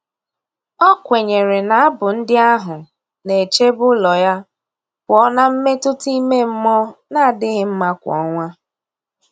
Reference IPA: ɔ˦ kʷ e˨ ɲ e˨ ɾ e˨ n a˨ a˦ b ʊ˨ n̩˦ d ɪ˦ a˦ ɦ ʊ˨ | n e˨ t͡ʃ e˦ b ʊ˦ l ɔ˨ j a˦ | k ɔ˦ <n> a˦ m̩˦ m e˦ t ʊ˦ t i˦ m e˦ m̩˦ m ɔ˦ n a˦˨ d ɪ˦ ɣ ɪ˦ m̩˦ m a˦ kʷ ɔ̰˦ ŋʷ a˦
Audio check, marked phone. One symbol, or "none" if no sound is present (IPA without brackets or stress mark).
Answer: n